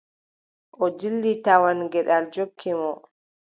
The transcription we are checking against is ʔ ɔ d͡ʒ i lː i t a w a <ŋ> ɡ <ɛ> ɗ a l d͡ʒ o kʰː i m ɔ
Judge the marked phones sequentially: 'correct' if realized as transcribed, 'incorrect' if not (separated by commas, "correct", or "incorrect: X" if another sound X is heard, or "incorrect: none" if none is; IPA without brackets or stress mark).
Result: incorrect: n, correct